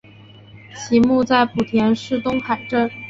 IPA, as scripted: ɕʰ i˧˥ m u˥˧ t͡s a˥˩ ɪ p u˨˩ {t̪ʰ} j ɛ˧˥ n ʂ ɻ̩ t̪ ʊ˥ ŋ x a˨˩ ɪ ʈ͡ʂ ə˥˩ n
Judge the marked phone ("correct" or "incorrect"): correct